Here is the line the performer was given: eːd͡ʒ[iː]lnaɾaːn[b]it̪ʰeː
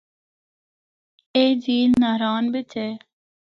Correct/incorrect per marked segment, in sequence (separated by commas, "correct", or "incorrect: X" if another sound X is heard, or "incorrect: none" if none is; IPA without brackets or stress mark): correct, correct